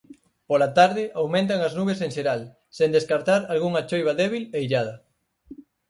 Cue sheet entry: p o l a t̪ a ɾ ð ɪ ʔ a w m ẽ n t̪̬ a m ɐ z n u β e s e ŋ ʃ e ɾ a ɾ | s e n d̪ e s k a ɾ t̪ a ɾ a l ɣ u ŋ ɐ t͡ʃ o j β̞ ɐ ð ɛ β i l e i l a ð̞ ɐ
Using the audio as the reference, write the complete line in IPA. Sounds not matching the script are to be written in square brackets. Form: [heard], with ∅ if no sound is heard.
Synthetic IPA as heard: p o l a t̪ a ɾ ð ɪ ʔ a w m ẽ n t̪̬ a [ŋ] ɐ z n u β e s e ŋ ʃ e ɾ a [l] | s e n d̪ e s k a ɾ t̪ a ɾ a l ɣ u ŋ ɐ t͡ʃ o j β̞ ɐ ð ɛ β i l e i [ʎ] a ð̞ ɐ